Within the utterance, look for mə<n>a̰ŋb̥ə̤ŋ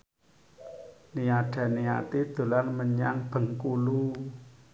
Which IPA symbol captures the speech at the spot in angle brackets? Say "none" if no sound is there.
ɲ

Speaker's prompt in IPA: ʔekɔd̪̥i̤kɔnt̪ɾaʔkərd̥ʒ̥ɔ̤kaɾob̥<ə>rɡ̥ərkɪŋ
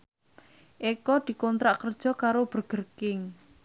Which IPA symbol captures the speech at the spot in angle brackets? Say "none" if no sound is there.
ə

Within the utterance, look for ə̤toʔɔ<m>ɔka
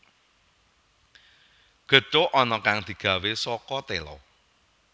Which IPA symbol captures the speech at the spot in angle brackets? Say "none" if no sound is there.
n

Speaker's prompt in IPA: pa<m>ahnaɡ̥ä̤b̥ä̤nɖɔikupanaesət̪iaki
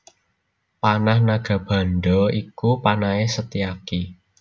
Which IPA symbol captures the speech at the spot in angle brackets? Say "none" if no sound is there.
n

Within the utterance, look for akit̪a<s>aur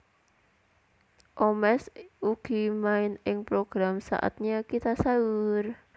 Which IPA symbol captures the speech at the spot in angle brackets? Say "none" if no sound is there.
s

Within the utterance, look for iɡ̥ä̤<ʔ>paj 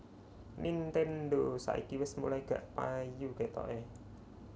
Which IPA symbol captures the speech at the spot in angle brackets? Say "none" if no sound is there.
ʔ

